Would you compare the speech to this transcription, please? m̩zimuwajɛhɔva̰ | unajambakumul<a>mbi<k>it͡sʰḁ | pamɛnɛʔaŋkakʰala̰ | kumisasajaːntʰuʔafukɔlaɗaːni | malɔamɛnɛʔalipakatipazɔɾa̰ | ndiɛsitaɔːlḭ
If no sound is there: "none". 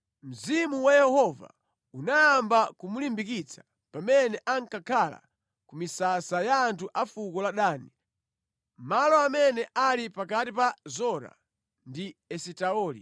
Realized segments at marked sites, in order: i, k

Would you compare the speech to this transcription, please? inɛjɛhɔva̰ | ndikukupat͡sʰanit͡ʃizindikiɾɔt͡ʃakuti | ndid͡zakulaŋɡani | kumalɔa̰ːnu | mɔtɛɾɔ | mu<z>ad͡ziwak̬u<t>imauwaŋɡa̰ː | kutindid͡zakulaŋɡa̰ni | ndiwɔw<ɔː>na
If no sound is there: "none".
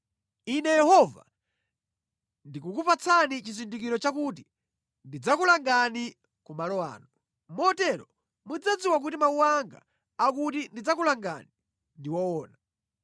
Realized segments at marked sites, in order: d͡z, t, ɔː

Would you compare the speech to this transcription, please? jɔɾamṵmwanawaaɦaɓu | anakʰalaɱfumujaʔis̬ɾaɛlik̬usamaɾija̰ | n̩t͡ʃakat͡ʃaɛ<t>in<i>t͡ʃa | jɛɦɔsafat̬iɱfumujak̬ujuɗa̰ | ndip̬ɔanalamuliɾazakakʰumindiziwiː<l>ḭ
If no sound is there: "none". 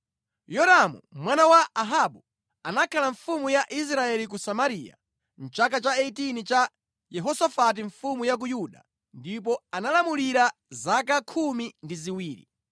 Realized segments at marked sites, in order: t, i, ɾ

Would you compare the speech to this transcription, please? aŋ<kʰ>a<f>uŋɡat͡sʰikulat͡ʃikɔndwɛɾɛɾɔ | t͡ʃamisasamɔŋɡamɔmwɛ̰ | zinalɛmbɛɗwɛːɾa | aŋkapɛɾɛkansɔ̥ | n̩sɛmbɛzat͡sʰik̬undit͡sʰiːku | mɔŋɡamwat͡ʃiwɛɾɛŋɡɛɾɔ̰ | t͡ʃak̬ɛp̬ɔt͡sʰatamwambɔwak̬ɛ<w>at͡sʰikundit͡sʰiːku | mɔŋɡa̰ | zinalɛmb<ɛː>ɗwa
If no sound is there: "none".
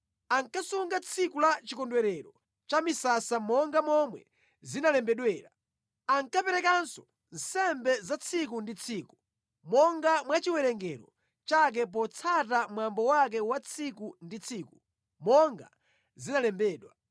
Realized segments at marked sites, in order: k, s, w, ɛː

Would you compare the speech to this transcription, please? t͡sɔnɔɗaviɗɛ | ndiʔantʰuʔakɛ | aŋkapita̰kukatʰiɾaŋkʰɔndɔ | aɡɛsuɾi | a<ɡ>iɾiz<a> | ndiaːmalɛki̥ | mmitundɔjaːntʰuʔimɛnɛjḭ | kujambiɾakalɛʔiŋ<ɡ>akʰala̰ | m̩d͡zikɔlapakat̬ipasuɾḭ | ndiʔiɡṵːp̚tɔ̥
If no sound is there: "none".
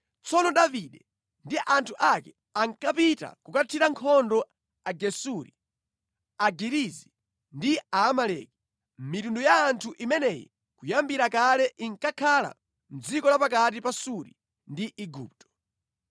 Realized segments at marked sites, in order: ɡ, i, k

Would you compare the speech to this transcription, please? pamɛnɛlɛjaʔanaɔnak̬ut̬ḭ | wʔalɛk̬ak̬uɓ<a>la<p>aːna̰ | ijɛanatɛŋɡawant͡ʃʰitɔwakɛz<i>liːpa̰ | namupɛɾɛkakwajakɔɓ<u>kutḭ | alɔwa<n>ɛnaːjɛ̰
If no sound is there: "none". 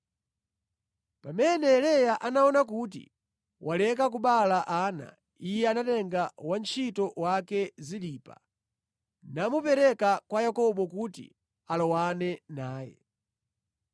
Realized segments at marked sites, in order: a, ʔ, i, ɔ, n

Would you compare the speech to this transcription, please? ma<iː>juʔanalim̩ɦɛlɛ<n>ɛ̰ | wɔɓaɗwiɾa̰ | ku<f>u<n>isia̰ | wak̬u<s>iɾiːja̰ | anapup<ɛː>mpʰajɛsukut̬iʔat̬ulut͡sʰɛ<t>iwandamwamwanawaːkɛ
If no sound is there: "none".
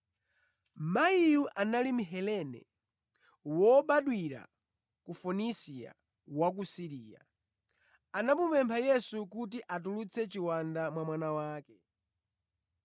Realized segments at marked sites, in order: i, n, f, n, s, ɛ, t͡ʃ

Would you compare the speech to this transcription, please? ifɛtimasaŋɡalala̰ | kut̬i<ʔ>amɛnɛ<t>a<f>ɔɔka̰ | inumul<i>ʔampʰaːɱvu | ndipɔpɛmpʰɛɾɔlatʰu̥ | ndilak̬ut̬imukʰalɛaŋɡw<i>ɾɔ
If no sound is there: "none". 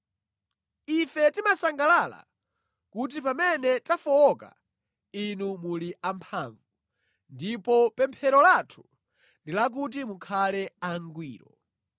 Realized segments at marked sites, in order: p, t, f, i, iː

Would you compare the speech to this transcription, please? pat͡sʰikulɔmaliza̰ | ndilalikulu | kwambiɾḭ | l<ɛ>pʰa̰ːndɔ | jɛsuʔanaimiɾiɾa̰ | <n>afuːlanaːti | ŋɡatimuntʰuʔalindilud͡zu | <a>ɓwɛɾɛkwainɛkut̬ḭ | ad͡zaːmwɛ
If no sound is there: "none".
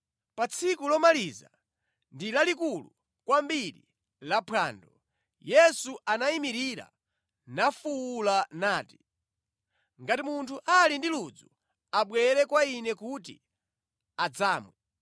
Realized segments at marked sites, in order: a, n, a

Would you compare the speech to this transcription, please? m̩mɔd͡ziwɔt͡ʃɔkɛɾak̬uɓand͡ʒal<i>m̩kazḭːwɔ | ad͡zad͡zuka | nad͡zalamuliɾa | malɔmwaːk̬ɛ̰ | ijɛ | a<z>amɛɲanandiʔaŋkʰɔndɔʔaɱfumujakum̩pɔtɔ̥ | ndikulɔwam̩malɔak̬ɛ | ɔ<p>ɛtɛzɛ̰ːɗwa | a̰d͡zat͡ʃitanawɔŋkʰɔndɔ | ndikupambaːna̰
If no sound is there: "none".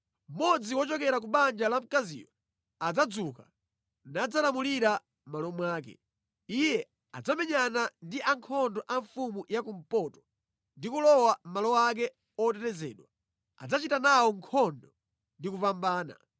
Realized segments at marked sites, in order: a, d͡z, t

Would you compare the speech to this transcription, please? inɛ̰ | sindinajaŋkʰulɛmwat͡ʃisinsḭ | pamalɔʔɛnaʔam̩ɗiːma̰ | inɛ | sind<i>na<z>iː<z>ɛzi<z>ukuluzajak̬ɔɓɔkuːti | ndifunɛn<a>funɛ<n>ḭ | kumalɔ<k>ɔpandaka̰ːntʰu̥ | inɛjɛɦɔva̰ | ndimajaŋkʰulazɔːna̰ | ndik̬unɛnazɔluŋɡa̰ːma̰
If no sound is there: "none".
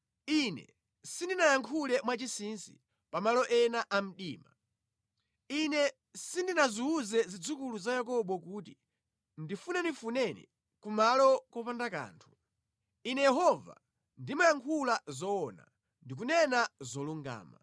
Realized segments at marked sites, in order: i, z, z, d͡z, i, n, k

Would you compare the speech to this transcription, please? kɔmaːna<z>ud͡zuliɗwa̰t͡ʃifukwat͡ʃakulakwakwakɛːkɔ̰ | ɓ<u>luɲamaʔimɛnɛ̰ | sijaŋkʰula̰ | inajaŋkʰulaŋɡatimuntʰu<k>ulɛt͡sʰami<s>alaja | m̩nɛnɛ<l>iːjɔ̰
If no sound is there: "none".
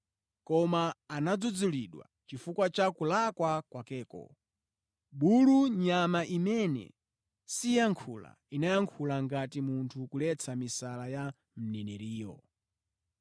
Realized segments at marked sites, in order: d͡z, u, k, s, ɾ

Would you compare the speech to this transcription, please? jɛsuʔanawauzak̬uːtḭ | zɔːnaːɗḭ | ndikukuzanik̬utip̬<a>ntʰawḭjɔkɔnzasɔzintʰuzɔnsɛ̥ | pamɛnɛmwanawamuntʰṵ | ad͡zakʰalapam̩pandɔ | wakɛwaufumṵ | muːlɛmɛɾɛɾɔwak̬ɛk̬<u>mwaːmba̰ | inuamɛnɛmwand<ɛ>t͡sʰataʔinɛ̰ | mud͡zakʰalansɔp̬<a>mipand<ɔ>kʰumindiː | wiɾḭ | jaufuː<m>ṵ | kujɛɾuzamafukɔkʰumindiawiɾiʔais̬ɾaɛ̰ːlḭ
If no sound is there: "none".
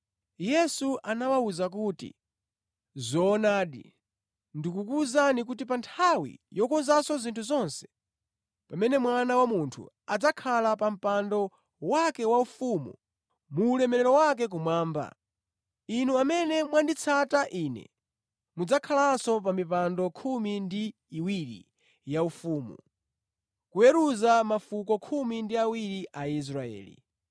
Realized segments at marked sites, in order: a, u, i, a, ɔ, m

